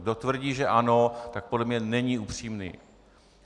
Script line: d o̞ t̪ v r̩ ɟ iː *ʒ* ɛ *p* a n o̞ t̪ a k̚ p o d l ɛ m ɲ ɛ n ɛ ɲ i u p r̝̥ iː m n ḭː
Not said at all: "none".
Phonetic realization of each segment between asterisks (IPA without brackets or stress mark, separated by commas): ʒ, ʔ